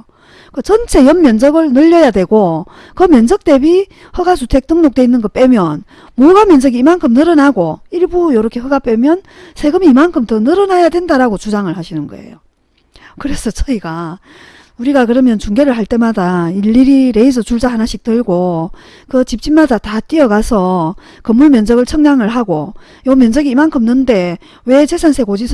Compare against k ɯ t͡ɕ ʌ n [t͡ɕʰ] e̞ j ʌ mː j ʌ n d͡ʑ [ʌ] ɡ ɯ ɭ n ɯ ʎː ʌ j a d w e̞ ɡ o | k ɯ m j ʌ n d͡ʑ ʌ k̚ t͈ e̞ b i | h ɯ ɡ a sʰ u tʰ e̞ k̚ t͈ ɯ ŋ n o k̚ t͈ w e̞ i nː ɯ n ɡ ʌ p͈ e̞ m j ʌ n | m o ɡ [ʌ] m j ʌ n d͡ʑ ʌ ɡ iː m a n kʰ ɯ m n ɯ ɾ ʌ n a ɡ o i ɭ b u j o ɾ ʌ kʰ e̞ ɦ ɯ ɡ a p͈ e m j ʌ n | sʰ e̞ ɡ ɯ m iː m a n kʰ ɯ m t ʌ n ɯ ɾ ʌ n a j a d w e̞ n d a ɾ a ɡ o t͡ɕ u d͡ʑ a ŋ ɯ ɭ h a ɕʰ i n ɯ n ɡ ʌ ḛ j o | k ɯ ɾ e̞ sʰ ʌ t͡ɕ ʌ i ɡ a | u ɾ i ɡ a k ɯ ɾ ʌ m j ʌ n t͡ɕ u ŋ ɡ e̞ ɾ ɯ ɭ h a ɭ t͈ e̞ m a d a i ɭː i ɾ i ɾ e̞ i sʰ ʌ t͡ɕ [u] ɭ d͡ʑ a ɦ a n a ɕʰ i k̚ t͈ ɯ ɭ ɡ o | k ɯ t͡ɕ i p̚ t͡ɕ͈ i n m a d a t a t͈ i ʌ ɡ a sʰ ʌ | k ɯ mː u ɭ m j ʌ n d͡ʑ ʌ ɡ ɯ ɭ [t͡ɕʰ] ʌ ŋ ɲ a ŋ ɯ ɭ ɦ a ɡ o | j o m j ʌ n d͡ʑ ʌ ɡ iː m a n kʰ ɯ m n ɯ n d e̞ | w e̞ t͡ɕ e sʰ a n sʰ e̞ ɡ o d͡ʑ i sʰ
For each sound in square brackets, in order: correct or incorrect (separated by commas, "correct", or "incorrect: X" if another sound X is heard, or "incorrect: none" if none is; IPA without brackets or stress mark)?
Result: correct, correct, incorrect: a, correct, correct